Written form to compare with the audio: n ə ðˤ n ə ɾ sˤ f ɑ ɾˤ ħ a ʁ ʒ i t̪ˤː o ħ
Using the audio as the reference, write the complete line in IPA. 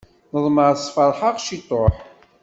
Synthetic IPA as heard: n ə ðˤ m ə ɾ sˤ f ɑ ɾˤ ħ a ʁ ʃ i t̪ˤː o ħ